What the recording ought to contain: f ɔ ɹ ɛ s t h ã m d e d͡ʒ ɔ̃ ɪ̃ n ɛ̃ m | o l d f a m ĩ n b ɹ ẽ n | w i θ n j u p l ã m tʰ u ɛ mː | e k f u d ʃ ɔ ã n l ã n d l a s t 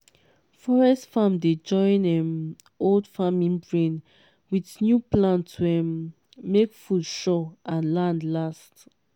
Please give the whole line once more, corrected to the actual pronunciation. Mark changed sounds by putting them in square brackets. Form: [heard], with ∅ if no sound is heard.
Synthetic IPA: f ɔ ɹ ɛ s t [f] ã m d e d͡ʒ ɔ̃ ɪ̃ n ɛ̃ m | o l d f a m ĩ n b ɹ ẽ n | w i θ n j u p l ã [n] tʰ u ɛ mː | e k f u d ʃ ɔ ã n l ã n d l a s t